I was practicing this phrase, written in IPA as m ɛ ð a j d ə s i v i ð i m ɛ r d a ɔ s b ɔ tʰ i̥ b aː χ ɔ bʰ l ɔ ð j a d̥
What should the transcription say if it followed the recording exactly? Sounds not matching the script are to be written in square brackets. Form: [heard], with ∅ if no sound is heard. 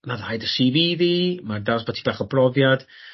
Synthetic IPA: m [a] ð a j d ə s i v i ð i m [a] r d a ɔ s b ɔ tʰ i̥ b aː χ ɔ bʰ [r] ɔ [v] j a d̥